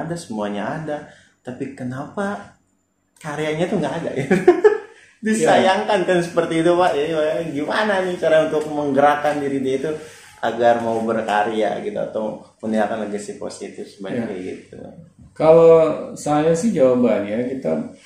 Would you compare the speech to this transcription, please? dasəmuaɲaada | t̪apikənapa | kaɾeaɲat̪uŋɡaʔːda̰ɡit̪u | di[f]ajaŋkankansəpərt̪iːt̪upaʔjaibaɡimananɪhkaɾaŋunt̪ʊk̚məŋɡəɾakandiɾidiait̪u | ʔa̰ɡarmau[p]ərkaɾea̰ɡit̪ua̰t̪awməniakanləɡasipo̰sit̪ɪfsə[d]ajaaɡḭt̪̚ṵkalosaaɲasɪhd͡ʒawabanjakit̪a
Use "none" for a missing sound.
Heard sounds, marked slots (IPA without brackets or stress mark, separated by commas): s, b, b